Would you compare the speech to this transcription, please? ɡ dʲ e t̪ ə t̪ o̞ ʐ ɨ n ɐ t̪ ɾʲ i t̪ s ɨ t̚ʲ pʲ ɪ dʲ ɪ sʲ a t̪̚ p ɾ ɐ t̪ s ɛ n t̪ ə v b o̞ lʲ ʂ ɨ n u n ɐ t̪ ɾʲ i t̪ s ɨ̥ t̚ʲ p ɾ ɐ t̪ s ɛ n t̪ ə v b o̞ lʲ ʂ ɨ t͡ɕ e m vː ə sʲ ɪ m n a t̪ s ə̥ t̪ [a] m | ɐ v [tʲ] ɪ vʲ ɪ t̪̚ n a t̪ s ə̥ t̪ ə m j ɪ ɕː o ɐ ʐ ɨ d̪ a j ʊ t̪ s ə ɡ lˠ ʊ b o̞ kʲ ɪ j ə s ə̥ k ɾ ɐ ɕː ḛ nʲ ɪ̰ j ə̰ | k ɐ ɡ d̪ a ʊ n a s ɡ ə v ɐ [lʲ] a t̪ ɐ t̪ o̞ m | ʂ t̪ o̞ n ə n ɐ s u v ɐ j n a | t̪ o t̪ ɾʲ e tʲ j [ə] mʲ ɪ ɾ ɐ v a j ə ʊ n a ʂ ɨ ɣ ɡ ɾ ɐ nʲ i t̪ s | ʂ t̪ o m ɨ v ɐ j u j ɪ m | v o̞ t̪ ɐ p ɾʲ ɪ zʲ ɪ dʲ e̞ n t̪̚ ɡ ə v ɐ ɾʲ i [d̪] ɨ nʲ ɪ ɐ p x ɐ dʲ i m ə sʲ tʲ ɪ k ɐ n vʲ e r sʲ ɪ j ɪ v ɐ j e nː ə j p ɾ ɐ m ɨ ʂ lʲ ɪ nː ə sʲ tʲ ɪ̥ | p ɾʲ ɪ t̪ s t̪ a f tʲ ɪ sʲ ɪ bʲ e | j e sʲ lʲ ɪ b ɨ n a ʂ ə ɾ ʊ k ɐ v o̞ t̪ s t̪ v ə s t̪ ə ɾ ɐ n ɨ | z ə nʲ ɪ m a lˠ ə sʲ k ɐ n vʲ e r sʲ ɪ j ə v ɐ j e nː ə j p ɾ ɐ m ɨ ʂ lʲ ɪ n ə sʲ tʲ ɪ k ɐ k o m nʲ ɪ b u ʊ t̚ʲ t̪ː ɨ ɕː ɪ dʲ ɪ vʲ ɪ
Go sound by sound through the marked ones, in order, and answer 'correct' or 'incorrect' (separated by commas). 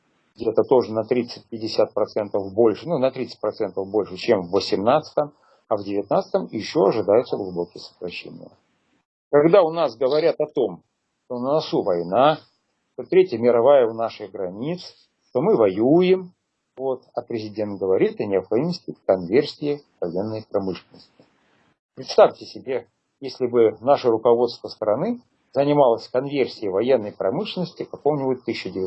incorrect, incorrect, incorrect, correct, incorrect